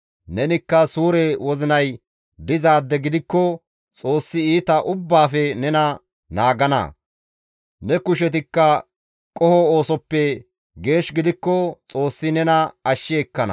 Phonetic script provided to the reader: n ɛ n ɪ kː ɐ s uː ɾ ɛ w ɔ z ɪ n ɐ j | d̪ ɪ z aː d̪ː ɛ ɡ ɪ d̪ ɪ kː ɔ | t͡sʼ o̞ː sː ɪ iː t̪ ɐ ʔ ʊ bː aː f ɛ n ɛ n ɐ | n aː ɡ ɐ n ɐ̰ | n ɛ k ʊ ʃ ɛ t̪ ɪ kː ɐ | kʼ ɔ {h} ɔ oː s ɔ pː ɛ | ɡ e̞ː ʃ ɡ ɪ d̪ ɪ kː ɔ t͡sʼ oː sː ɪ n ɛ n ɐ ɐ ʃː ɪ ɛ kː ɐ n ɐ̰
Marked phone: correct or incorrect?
correct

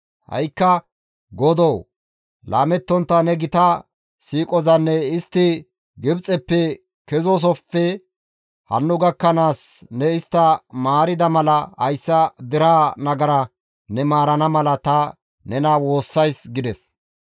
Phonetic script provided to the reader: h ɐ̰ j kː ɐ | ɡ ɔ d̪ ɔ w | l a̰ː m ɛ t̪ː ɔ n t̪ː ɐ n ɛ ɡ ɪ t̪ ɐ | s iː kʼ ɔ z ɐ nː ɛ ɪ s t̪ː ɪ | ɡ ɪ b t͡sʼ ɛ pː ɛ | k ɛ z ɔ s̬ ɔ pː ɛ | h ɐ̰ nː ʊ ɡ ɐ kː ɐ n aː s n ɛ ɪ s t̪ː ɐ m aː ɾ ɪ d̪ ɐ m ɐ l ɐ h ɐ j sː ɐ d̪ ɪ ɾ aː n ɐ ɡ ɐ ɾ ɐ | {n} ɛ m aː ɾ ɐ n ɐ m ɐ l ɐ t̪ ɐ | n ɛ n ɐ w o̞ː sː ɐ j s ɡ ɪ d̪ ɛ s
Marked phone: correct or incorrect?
correct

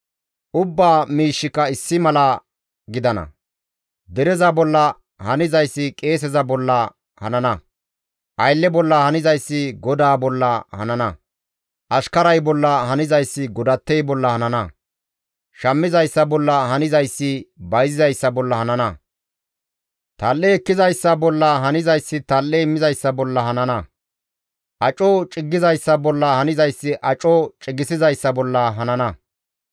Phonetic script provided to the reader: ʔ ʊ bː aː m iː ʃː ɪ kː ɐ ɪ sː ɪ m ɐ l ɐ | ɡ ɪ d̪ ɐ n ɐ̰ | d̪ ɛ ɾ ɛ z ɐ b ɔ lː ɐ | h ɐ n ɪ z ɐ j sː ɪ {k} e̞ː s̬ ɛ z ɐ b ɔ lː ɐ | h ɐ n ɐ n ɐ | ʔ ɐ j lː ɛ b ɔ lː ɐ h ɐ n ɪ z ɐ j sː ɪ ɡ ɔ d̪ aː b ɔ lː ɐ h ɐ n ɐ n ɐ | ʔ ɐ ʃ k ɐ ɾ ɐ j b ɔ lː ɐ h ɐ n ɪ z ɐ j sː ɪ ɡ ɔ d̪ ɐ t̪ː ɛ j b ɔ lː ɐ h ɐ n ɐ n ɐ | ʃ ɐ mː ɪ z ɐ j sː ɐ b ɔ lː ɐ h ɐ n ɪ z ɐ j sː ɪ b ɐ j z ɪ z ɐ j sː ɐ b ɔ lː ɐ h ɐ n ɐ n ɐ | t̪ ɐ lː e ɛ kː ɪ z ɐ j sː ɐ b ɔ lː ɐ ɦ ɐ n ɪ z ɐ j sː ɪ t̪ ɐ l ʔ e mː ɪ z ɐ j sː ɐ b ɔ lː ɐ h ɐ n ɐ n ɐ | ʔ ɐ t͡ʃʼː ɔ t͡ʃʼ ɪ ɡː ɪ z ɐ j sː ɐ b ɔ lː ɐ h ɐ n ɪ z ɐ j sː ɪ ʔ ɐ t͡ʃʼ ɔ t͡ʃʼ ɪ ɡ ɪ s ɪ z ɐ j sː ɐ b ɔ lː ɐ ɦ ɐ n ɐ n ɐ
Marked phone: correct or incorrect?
incorrect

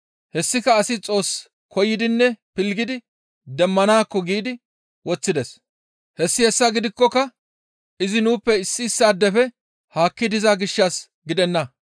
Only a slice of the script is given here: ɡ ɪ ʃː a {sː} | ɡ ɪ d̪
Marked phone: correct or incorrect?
incorrect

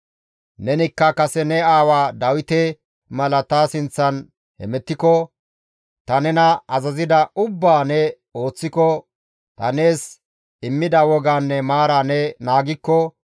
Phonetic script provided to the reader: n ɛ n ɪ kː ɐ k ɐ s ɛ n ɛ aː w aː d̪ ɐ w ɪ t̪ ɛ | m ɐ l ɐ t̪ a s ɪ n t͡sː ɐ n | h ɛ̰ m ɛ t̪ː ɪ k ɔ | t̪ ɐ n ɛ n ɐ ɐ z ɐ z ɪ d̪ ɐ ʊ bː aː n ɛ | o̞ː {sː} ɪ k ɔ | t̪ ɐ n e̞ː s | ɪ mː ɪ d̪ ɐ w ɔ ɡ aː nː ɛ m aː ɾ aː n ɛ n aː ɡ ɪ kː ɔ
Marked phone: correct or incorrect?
incorrect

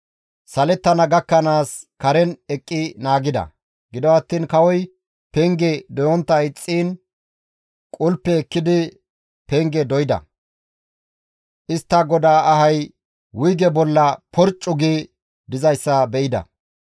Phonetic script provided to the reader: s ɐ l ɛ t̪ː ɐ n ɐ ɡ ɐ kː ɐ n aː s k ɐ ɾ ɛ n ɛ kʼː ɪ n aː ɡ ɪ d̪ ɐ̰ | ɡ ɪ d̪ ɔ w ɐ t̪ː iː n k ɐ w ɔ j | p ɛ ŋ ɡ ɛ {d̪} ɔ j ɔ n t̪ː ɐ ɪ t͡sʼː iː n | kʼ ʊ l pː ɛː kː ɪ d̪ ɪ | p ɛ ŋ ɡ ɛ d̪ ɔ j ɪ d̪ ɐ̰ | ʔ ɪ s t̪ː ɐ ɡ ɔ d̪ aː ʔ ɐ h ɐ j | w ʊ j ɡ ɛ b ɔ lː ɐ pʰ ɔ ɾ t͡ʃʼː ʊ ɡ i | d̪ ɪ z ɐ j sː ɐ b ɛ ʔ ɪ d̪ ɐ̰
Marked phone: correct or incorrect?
correct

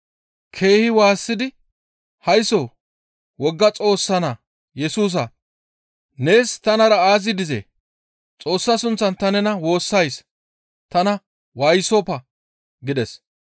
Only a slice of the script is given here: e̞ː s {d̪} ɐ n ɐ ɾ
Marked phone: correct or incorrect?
incorrect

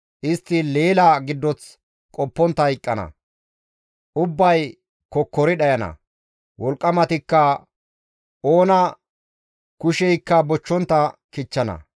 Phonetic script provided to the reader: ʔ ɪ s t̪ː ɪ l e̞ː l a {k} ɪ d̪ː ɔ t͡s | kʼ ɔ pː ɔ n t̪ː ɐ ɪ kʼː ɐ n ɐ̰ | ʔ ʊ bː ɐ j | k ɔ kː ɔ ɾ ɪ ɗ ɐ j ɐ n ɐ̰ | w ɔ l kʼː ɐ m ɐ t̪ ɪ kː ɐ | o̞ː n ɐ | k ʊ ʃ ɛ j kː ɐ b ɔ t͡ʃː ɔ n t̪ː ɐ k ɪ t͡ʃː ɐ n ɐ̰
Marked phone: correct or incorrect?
incorrect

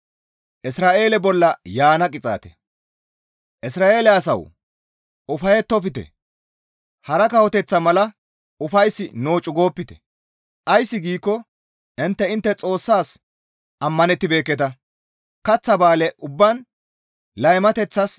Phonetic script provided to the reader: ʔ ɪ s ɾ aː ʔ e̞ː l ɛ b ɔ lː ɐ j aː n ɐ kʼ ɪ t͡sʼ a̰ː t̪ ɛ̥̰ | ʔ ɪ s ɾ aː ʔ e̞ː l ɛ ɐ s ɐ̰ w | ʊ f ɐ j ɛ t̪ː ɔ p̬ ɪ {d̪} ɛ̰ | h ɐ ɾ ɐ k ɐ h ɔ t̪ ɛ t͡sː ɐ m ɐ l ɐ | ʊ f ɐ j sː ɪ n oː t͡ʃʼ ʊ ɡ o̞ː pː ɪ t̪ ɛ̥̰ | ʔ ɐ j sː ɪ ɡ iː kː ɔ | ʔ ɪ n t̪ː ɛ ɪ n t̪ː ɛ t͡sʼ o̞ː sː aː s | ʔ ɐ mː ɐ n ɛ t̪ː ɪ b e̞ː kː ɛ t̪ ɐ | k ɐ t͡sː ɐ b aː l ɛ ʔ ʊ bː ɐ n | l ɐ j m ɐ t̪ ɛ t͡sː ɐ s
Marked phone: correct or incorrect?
incorrect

